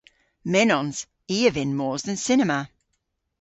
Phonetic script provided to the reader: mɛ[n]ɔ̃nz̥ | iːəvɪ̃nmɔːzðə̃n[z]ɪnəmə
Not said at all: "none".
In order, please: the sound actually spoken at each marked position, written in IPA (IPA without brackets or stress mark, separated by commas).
n, s